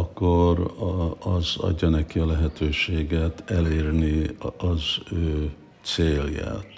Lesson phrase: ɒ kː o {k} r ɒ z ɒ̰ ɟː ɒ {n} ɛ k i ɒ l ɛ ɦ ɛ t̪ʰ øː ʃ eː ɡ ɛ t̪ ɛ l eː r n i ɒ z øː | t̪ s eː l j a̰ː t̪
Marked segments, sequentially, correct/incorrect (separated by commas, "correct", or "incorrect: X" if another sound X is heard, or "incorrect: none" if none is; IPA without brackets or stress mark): incorrect: none, correct